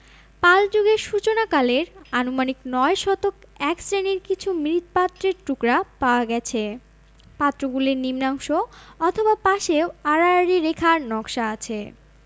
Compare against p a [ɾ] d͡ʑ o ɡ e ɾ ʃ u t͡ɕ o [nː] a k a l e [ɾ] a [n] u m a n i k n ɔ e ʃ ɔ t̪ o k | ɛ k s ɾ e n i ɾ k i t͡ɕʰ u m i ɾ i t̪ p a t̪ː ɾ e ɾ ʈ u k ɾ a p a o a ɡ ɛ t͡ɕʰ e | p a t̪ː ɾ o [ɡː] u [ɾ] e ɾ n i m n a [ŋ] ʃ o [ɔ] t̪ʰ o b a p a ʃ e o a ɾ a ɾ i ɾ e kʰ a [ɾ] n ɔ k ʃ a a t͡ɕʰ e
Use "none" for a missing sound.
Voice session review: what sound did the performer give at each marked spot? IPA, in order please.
l, n, ɾ, n, ɡ, l, ŋ, ɔ, ɾ

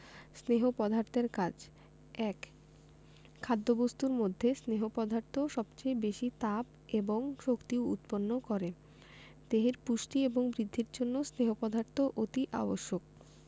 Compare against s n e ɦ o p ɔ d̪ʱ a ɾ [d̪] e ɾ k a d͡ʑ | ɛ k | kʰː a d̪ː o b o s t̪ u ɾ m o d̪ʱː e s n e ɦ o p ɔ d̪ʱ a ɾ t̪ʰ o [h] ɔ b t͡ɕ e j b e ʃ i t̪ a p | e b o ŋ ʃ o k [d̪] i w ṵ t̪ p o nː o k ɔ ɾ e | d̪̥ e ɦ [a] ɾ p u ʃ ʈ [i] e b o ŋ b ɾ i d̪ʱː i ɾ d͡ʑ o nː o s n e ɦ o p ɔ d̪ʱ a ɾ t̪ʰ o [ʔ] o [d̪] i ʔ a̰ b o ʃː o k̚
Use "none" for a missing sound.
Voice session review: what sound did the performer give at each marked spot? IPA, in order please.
t̪, ʃ, t̪, e, i, ʔ, t̪

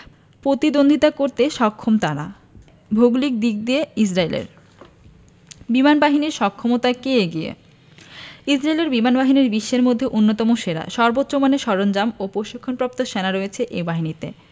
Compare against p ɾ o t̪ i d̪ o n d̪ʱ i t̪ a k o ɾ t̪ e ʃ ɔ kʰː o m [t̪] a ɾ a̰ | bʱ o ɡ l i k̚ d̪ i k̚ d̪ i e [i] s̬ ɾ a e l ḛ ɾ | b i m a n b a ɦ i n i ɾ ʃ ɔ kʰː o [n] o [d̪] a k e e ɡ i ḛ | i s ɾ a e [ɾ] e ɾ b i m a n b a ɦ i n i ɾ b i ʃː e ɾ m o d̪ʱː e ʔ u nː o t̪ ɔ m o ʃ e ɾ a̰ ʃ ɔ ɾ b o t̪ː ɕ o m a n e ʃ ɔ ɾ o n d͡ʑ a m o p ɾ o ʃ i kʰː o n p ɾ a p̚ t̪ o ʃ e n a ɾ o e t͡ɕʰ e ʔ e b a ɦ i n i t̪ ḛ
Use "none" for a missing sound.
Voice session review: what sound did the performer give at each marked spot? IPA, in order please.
t̪, i, m, t̪, l

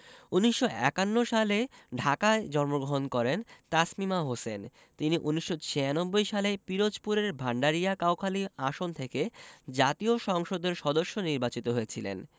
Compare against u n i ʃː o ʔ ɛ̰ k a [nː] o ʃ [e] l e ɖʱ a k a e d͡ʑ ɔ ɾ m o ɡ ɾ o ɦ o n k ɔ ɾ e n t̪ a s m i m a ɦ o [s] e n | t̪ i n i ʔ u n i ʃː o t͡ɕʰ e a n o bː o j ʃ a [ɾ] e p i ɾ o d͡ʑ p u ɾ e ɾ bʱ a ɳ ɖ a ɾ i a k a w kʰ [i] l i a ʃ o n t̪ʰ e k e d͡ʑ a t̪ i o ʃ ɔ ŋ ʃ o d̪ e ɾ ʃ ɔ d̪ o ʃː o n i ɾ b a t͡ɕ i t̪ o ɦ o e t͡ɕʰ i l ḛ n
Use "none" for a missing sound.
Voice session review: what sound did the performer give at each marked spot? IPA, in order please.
nː, a, s, l, a

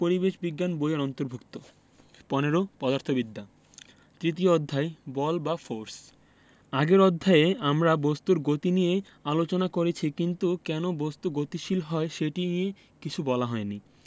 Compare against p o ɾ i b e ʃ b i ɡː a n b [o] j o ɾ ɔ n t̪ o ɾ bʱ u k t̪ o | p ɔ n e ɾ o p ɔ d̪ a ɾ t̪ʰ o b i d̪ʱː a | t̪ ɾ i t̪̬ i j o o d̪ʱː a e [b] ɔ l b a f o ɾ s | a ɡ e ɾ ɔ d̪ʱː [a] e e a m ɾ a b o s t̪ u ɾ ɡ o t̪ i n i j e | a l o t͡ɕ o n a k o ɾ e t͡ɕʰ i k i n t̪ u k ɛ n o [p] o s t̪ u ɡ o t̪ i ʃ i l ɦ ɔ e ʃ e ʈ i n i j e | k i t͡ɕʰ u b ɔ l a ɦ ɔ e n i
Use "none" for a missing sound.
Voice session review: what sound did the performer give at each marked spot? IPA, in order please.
o, b, a, b

